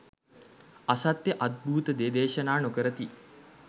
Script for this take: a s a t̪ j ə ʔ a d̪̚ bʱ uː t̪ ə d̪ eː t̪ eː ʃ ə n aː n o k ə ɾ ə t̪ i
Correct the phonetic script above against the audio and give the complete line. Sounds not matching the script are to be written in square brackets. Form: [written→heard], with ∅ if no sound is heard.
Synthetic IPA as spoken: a s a t̪ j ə ʔ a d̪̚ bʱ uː t̪ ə d̪ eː [t̪→d̪] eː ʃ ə n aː n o k ə ɾ ə t̪ i